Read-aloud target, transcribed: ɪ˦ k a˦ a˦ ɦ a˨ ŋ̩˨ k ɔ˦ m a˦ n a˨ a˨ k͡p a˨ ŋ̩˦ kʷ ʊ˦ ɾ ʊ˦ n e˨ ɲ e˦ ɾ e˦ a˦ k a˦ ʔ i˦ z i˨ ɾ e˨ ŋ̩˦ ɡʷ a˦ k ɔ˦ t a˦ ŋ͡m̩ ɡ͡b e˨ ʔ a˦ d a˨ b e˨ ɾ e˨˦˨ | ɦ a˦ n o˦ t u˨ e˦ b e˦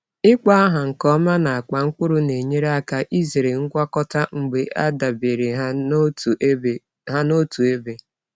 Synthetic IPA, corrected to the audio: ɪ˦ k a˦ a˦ ɦ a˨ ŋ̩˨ k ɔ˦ m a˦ n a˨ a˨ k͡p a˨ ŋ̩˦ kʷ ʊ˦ ɾ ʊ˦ n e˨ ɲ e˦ ɾ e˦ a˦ k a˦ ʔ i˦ z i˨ ɾ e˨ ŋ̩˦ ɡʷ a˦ k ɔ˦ t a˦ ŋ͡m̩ ɡ͡b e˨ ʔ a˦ d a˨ b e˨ ɾ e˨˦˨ | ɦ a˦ n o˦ t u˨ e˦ b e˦